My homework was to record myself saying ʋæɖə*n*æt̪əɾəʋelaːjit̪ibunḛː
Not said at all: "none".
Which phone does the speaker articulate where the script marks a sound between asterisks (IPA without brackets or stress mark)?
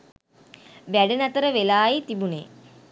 n